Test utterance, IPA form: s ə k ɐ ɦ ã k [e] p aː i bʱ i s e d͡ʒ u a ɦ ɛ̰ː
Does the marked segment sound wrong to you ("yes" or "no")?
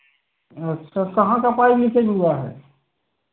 yes